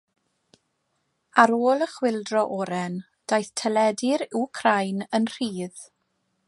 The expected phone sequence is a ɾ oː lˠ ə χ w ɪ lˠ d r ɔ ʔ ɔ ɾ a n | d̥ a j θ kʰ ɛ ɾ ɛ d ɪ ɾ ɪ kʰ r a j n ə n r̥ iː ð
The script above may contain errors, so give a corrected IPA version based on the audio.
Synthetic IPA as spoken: a ɾ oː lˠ ə χ w ɪ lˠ d r ɔ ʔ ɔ ɾ ɛ n | d̥ a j θ tʰ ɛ l ɛ d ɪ ɾ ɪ kʰ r a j n ə n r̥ iː ð